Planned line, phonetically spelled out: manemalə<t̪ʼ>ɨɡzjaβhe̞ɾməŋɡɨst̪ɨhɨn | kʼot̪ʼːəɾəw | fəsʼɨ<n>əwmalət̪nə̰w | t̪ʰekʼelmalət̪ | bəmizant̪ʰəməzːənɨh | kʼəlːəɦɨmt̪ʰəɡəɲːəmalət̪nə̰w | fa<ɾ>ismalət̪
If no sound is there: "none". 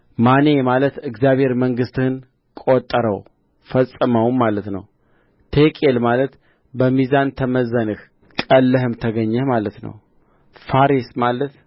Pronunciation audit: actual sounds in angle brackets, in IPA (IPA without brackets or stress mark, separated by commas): t̪, m, ɾ